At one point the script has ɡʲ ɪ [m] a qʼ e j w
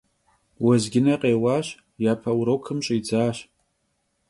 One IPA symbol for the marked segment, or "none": n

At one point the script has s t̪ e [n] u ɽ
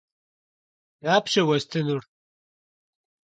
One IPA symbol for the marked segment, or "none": n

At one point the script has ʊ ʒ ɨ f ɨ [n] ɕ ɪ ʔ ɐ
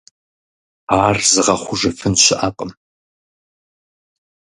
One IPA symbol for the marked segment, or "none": n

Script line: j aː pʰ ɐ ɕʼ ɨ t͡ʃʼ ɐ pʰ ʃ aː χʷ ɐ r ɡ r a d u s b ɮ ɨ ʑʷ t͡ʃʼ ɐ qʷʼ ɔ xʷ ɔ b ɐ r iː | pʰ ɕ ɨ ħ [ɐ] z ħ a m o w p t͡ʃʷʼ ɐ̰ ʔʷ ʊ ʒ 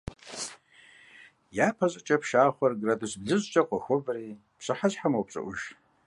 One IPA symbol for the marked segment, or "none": a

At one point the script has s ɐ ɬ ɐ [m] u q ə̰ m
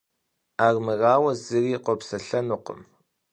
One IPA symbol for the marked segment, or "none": n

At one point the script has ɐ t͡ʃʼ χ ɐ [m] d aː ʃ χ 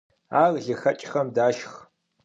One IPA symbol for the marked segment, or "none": m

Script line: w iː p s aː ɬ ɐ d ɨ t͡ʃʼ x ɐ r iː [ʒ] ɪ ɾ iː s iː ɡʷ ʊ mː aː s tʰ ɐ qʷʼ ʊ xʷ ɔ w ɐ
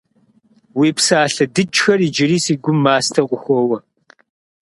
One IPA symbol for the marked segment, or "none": d͡ʒ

